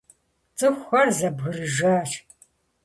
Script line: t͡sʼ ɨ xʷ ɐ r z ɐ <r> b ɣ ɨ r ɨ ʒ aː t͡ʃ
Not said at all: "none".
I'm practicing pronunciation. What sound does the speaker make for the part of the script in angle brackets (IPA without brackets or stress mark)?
none